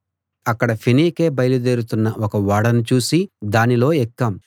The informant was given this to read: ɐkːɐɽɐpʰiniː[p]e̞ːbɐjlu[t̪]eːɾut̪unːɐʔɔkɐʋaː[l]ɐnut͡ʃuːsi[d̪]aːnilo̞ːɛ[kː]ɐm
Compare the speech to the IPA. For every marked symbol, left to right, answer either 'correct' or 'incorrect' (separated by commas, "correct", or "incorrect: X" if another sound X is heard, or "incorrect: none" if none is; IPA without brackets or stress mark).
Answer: incorrect: k, incorrect: d̪, incorrect: ɽ, correct, correct